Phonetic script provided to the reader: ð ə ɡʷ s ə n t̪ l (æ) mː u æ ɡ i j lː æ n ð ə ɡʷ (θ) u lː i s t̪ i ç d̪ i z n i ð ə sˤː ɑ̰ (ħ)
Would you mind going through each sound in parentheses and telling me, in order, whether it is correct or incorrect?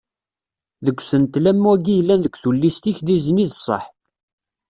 correct, correct, correct

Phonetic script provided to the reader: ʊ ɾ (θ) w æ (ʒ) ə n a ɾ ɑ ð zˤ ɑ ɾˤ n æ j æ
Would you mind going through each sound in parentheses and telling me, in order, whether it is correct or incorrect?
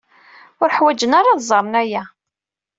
incorrect: ħ, incorrect: d͡ʒ

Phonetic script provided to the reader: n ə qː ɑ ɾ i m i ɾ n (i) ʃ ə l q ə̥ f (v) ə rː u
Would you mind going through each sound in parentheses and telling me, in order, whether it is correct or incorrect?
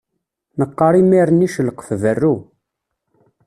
correct, correct

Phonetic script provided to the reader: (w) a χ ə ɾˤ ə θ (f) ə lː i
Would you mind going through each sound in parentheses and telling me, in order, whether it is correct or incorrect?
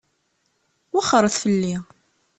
correct, correct

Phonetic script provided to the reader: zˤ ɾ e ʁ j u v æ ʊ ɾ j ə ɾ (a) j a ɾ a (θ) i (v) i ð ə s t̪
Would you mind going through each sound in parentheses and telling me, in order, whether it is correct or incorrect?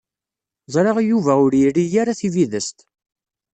incorrect: i, correct, correct

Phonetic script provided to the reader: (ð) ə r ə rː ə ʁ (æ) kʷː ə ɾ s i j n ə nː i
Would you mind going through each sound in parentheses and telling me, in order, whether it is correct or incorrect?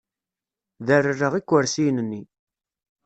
correct, incorrect: i

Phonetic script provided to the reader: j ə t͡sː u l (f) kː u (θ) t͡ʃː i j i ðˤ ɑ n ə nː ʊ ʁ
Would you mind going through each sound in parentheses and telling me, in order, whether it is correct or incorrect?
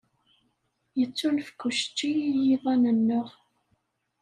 correct, incorrect: ʃ

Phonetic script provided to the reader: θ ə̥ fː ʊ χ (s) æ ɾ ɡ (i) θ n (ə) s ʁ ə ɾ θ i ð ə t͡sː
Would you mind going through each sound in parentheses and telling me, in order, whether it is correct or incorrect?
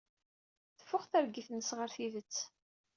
incorrect: θ, correct, correct

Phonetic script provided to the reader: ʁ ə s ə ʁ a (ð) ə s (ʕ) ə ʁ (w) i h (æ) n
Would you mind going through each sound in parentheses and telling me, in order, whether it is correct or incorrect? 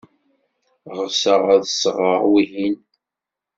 correct, incorrect: ʁ, correct, incorrect: i

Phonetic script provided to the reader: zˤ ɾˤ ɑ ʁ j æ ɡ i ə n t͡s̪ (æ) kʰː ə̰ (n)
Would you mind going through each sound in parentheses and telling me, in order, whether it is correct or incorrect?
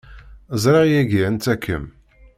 correct, incorrect: m

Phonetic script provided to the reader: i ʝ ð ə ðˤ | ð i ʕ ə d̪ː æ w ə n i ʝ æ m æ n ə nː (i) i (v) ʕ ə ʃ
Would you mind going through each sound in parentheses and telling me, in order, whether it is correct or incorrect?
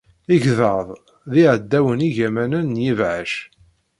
incorrect: j, correct

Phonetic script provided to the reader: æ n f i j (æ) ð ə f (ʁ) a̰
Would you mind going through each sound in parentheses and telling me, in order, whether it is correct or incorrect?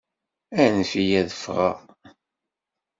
correct, correct

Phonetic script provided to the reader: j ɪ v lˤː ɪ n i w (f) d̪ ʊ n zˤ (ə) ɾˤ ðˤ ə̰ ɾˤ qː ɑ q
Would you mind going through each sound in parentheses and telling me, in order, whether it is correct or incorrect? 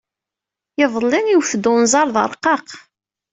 correct, incorrect: ɑ

